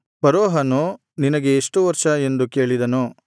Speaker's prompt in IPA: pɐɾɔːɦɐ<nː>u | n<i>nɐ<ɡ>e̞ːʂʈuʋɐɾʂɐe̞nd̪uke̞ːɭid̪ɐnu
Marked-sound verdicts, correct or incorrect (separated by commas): incorrect, correct, correct